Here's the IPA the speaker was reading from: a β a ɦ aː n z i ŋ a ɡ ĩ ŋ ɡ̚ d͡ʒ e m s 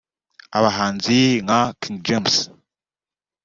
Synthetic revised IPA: a β a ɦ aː n z i ŋ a k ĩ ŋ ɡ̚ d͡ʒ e m s